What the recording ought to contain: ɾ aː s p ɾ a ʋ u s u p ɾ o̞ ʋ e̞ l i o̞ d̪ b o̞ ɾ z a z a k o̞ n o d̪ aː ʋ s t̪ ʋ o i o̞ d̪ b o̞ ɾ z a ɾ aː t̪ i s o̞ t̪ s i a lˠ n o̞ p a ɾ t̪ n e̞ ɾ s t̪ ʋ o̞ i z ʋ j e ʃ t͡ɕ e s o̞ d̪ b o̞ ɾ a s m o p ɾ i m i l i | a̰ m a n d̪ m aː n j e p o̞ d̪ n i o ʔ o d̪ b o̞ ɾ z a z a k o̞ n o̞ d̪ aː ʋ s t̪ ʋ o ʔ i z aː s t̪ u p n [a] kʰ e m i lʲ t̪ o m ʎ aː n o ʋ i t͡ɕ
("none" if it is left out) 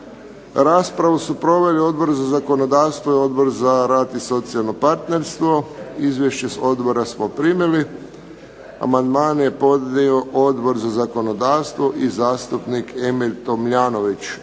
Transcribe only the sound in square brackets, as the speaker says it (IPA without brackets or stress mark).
i